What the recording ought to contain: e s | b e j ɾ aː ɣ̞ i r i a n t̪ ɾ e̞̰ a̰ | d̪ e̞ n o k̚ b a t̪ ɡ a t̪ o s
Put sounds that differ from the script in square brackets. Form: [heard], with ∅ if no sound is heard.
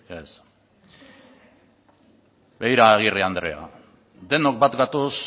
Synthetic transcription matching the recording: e s | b e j ɾ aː ɣ̞ i r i a n [d̪] ɾ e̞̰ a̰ | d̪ e̞ n o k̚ b a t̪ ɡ a t̪ o s